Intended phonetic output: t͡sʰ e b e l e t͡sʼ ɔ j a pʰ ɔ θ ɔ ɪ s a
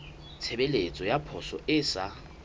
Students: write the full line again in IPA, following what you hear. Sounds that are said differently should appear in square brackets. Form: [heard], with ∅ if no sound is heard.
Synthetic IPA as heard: t͡sʰ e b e l e t͡sʼ ɔ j a pʰ ɔ [s] ɔ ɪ s a